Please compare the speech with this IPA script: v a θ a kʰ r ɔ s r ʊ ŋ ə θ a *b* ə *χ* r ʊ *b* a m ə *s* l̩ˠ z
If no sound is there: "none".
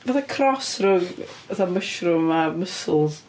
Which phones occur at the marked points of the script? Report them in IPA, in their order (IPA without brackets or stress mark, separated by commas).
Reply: m, ʃ, m, s